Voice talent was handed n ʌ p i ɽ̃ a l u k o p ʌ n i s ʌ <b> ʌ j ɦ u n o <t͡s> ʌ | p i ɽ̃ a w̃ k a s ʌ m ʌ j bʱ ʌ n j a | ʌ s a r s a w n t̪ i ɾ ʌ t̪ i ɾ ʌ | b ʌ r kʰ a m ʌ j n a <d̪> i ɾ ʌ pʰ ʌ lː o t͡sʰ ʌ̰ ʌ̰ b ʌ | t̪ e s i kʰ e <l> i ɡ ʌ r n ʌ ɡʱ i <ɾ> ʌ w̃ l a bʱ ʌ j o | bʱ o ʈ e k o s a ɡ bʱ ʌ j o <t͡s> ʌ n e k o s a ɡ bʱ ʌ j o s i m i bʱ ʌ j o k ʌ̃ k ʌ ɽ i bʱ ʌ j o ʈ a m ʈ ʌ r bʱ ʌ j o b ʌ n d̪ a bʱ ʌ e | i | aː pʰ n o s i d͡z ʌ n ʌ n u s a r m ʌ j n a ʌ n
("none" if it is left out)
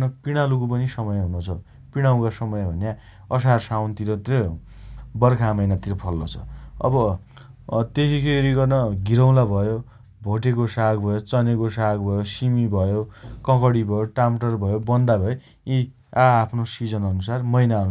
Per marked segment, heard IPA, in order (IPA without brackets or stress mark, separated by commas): m, t͡sʰ, t̪, ɾ, ɾ, t͡s